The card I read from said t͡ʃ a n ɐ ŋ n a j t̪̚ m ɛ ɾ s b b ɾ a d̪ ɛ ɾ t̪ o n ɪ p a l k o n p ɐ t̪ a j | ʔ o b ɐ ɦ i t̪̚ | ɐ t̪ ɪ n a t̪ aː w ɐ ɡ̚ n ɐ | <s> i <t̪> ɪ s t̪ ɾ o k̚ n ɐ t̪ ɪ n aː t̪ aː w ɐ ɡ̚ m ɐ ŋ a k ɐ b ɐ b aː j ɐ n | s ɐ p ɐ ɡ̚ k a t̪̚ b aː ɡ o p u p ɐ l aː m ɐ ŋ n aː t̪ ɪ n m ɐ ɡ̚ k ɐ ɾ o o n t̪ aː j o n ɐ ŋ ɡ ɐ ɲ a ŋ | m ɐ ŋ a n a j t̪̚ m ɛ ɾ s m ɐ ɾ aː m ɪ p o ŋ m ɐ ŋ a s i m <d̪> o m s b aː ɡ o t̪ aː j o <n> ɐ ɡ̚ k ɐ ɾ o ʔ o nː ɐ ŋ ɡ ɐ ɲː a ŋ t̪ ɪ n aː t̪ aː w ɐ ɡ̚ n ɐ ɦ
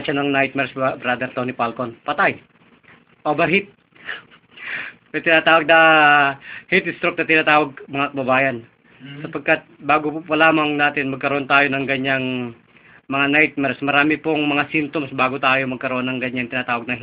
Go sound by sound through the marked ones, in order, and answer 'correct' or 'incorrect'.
incorrect, correct, incorrect, incorrect

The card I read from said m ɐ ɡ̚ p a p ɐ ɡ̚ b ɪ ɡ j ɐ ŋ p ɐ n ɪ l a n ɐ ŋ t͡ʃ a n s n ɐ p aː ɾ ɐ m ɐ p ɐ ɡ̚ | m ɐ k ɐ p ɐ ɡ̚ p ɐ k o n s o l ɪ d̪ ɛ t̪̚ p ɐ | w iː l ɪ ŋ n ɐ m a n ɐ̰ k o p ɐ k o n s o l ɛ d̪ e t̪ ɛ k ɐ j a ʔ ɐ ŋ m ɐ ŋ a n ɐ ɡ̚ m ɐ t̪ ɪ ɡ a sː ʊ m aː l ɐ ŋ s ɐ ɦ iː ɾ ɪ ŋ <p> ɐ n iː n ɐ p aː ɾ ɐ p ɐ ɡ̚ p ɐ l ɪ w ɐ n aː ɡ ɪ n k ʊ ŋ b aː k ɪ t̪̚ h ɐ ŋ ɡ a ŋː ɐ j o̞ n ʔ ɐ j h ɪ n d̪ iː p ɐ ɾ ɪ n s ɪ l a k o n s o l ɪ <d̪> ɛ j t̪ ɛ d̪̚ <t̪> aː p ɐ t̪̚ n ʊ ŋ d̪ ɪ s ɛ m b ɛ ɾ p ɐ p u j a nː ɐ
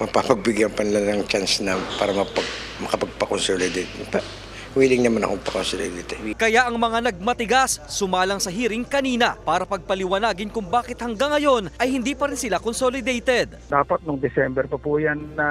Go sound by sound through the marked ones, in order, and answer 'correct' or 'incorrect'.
incorrect, correct, incorrect

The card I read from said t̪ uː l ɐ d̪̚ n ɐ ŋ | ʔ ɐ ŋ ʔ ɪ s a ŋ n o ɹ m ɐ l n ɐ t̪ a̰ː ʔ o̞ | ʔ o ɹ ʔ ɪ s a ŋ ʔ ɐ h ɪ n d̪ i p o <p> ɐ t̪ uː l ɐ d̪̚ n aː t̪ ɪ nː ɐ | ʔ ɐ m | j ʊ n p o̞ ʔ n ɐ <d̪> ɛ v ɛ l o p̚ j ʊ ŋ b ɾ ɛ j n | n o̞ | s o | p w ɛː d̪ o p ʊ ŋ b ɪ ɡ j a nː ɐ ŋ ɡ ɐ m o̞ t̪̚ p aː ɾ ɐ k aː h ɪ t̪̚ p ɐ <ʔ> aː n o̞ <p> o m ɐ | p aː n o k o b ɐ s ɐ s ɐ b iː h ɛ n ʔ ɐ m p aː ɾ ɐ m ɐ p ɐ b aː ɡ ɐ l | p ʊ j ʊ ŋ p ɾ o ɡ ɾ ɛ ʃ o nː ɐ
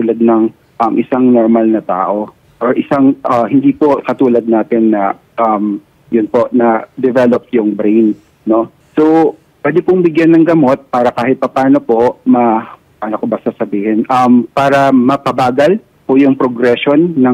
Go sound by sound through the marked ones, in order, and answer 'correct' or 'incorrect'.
incorrect, correct, incorrect, correct

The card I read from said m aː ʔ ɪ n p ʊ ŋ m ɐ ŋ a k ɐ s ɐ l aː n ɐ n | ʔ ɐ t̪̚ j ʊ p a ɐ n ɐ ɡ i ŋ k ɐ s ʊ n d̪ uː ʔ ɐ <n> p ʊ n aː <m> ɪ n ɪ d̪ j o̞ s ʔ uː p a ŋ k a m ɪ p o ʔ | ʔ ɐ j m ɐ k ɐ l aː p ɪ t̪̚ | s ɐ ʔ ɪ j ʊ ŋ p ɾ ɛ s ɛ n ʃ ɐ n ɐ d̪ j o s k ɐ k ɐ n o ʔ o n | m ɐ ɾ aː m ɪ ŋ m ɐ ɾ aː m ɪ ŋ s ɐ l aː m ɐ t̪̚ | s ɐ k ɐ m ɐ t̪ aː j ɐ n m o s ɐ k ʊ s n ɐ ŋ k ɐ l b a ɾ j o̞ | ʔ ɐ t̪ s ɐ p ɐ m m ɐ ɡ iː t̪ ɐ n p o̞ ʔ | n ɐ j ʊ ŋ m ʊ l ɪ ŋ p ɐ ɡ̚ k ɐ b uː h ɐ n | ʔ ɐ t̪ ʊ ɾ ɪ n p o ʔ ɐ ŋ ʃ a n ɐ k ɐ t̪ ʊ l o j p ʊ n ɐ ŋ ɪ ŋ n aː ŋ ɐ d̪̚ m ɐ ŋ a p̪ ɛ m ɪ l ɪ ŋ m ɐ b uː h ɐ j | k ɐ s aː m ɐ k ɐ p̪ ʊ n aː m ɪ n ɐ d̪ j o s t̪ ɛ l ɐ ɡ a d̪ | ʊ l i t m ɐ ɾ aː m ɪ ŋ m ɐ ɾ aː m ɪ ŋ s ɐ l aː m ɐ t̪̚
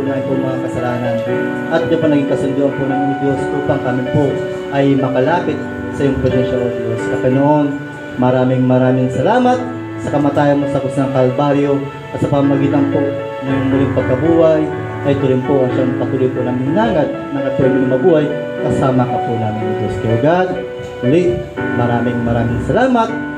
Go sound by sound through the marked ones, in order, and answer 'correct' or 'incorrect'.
correct, correct

